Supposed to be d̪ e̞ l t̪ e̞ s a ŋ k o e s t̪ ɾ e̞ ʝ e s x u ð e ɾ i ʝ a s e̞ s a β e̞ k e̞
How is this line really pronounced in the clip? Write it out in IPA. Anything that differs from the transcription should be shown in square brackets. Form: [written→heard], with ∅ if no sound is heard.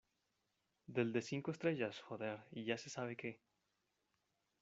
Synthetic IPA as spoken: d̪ e̞ l [t̪→d̪] e̞ s [a→i] ŋ k o e s t̪ ɾ e̞ ʝ [e→a] s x [u→o] ð e ɾ i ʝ a s e̞ s a β e̞ k e̞